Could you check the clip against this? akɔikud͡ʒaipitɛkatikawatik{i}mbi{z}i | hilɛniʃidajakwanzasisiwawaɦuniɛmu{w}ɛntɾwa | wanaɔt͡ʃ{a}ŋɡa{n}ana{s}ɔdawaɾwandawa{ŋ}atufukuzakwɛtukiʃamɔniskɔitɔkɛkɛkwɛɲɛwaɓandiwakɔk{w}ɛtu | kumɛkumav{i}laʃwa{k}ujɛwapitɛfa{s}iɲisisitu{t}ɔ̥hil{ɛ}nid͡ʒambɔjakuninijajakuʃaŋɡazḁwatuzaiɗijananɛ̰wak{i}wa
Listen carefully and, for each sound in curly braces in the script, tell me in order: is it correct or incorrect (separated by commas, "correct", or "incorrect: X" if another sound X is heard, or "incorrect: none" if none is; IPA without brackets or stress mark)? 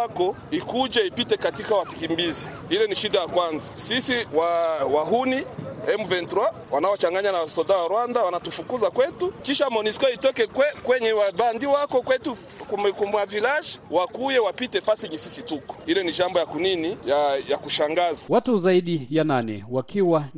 correct, correct, incorrect: v, correct, incorrect: ɲ, correct, incorrect: n, correct, correct, correct, correct, incorrect: k, correct, correct